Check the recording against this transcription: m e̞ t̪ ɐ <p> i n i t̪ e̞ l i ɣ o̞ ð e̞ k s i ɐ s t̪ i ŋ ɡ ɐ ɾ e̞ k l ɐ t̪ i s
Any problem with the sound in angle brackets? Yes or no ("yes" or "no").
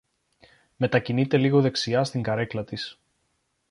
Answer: yes